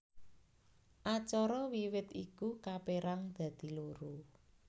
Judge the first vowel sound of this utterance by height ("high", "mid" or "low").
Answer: low